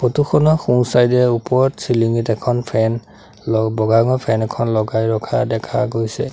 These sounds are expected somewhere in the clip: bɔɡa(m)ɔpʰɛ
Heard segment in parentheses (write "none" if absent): ŋ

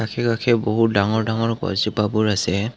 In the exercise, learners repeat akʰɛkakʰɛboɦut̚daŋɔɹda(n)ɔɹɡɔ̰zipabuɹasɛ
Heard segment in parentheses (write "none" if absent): ŋ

